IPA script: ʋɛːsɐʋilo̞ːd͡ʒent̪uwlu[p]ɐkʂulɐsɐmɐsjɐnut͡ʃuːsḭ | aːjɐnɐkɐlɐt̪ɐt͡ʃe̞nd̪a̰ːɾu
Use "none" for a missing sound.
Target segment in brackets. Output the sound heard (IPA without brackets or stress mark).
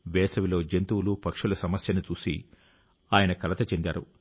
p